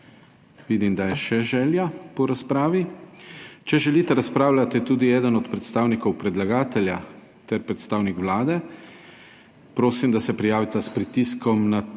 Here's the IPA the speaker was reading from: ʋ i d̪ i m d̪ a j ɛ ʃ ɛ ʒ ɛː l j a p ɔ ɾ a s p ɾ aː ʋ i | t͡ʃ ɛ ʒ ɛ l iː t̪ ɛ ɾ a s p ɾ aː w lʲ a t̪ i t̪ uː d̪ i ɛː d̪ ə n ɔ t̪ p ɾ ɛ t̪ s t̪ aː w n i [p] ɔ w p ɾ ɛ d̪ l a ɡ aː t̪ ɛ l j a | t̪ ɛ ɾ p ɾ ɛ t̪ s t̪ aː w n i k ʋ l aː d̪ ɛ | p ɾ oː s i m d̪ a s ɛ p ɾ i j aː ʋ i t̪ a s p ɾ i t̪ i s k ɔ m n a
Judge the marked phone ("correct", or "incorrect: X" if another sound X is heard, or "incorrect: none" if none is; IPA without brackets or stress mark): incorrect: k